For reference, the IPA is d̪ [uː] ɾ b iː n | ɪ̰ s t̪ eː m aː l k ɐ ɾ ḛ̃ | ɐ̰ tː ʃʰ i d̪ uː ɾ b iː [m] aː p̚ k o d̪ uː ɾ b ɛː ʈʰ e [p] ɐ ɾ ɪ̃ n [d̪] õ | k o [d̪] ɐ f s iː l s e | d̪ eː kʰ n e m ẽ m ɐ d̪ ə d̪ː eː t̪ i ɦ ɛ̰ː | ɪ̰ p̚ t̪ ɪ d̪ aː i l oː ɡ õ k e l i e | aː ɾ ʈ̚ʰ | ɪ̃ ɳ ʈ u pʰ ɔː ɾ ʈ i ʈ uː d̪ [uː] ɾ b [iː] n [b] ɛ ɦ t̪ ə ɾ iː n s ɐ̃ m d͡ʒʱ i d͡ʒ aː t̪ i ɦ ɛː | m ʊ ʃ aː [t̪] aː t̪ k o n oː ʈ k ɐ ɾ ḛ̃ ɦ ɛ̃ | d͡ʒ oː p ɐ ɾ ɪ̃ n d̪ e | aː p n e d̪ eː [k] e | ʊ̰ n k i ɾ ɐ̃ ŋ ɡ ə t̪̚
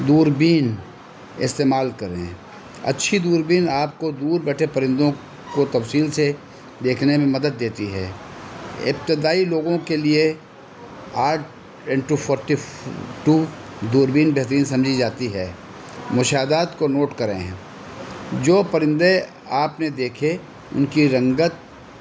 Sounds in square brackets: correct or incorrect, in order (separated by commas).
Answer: correct, incorrect, correct, correct, incorrect, correct, correct, correct, incorrect, incorrect